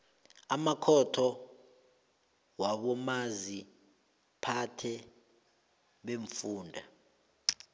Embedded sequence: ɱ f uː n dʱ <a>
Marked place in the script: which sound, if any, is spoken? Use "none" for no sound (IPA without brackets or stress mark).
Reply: a